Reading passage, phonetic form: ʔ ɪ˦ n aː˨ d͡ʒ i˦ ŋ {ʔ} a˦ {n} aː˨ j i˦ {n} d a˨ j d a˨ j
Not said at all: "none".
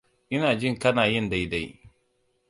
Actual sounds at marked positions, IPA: k, n, n

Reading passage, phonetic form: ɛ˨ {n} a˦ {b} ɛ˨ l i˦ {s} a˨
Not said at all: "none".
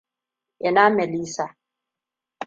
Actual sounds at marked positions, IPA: n, m, s

